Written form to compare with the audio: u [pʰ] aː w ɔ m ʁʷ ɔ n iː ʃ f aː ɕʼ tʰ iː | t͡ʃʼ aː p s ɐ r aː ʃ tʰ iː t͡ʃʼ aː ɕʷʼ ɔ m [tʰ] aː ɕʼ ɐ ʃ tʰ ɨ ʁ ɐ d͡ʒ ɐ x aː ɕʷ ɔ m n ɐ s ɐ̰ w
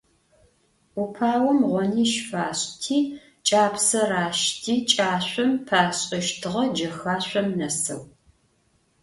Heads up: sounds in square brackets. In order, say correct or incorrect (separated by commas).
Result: correct, incorrect